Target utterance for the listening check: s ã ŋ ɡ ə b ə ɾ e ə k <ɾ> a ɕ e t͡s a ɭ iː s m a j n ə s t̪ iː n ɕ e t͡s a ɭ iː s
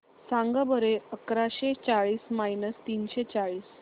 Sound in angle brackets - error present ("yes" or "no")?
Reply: no